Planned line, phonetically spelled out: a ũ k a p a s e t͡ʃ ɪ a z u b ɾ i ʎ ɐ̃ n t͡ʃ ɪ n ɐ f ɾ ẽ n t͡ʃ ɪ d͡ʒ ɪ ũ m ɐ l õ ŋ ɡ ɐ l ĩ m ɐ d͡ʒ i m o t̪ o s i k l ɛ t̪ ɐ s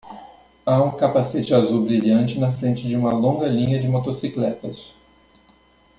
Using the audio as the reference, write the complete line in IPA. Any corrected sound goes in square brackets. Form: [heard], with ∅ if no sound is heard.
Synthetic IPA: a ũ k a p a s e t͡ʃ ɪ a z u b ɾ i ʎ ɐ̃ n t͡ʃ ɪ n ɐ f ɾ ẽ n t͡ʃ ɪ d͡ʒ ɪ ũ m ɐ l õ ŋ ɡ ɐ l ĩ [ɲ] ɐ d͡ʒ [ɪ] m o t̪ o s i k l ɛ t̪ ɐ s